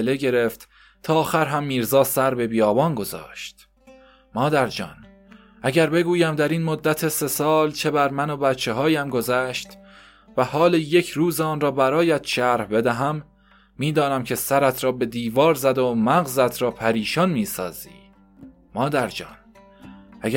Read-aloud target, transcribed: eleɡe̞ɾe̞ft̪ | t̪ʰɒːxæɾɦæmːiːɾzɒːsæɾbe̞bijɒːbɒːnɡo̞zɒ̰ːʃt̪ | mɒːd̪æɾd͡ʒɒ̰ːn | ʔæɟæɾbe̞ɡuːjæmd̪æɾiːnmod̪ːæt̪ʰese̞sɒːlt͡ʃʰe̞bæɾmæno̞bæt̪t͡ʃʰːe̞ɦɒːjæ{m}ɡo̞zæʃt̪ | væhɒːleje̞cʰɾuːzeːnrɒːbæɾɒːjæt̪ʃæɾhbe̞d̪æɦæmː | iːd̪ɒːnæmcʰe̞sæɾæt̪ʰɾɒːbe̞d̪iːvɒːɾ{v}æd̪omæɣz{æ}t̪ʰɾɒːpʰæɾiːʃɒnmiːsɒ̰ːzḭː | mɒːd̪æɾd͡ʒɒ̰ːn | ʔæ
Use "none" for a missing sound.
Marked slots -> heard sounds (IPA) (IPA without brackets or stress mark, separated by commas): m, z, æ